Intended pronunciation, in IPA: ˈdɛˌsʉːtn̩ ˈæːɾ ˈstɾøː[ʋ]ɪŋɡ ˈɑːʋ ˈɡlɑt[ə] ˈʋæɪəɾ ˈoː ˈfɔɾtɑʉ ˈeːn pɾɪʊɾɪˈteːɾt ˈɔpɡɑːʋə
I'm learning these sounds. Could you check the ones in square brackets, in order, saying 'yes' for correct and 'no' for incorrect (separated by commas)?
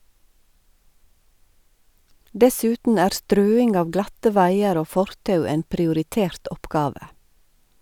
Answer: no, yes